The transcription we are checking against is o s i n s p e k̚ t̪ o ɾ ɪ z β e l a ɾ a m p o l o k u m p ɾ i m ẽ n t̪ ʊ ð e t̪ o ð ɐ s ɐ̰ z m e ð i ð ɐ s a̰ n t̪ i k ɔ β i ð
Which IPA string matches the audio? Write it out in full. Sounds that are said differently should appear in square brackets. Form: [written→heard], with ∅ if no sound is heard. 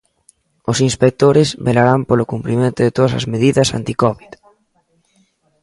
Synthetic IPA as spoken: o s i n s p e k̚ t̪ o ɾ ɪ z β e l a ɾ a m p o l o k u m p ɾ i m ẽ n t̪ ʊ ð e t̪ o ð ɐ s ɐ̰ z m e ð i ð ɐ s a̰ n t̪ i k ɔ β i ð

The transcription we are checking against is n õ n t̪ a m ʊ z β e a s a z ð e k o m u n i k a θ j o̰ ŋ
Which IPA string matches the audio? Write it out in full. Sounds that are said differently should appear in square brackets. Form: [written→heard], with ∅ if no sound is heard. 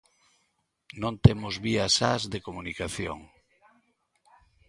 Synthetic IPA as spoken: n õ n t̪ [a→e] m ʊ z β [e→i] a s a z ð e k o m u n i k a θ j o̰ ŋ

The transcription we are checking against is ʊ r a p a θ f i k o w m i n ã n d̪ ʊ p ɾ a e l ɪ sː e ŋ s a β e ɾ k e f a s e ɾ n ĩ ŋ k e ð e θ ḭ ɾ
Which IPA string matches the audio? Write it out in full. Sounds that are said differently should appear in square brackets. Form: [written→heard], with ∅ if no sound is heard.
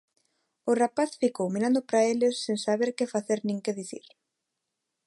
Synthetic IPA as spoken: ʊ r a p a θ f i k o w m i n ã n d̪ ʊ p ɾ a e l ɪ sː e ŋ s a β e ɾ k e f a [s→θ] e ɾ n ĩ ŋ k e ð [e→i] θ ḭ ɾ

